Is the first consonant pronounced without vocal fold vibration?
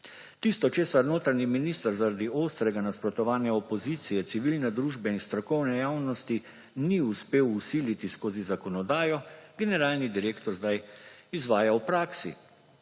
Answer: yes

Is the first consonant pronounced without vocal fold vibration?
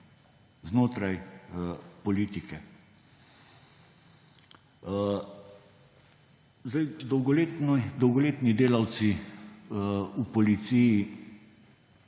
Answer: no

